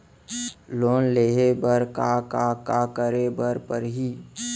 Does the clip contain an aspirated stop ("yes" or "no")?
no